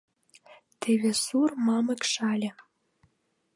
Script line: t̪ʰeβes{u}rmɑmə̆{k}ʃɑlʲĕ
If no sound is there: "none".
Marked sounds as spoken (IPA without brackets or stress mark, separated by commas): u, k